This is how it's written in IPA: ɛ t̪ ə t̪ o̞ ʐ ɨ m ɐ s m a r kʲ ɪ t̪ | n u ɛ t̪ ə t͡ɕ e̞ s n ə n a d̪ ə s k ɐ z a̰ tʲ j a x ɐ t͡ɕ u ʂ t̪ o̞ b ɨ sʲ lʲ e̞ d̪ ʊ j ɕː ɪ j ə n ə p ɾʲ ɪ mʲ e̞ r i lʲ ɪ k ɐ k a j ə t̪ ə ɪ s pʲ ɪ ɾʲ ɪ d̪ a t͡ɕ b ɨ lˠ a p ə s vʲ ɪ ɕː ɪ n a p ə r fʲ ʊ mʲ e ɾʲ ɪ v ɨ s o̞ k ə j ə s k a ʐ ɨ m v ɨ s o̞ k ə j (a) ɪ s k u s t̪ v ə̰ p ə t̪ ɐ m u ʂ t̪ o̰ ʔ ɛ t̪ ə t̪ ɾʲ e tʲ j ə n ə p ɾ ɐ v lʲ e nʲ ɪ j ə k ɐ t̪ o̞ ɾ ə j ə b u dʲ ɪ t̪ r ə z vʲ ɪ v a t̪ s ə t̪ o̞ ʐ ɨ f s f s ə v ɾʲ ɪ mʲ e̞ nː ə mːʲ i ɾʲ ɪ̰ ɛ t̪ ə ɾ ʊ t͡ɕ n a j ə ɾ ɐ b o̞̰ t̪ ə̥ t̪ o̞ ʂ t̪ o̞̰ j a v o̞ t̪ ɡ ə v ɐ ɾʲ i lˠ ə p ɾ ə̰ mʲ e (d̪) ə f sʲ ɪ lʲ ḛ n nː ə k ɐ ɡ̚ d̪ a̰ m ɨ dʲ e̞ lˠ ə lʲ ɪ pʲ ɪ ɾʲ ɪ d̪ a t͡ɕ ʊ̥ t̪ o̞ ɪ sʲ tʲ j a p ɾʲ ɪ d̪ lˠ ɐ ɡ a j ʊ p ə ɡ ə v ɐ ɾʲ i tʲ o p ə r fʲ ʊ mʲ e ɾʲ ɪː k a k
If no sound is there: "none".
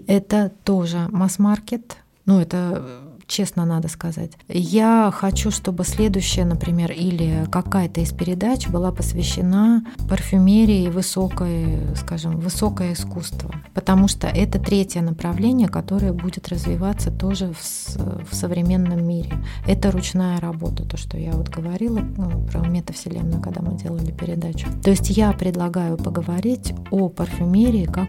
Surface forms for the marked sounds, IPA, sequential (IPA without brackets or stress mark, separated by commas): ə, t̪